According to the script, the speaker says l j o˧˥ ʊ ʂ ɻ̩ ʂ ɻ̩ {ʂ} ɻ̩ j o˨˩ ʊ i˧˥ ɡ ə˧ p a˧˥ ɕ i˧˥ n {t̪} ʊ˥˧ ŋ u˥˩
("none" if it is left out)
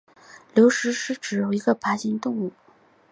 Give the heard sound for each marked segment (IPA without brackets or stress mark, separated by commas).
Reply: ʈ͡ʂ, t̪